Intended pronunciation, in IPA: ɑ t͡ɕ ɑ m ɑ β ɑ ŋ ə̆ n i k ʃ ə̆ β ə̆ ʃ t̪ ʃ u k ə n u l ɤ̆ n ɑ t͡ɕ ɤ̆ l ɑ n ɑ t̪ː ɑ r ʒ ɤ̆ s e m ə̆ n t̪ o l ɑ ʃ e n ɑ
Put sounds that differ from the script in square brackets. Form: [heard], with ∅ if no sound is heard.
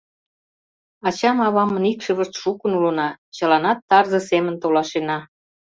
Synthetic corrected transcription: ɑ t͡ɕ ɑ m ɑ β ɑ [m] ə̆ n i k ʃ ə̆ β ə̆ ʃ t̪ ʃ u k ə n u l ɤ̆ n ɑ t͡ɕ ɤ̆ l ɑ n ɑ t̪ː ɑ r [z] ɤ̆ s e m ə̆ n t̪ o l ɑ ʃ e n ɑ